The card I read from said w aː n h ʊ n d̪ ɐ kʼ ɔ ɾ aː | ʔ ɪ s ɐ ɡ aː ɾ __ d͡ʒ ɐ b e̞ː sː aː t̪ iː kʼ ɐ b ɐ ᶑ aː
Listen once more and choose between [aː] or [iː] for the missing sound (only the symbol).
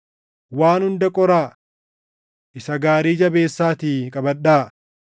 iː